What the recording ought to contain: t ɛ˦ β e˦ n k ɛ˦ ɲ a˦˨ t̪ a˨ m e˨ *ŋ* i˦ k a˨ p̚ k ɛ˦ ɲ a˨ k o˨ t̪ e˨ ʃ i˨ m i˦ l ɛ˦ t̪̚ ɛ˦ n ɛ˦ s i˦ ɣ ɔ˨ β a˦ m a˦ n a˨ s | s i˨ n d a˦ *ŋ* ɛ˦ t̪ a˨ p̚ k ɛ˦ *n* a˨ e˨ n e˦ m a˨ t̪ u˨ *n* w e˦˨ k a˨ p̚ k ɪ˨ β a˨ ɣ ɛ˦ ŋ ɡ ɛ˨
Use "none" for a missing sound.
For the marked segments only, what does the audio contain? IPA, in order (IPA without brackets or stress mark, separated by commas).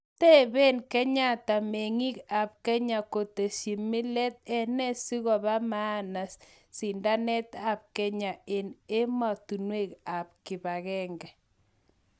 ŋ, n, ɲ, n